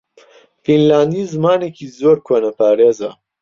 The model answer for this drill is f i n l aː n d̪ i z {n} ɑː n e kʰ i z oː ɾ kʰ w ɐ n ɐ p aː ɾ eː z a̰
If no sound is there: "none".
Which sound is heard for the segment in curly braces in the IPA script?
m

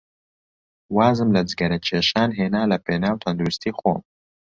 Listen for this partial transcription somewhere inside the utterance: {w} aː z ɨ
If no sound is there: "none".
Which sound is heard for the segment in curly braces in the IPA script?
w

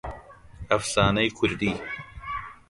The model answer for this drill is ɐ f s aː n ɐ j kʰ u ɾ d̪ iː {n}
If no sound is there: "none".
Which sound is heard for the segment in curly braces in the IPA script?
none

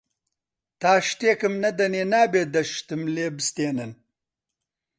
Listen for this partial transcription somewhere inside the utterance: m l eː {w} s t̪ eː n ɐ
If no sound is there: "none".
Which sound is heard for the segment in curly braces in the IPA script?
b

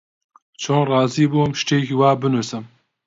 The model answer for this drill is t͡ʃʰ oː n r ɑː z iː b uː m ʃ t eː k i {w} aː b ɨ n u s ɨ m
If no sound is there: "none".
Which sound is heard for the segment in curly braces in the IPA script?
w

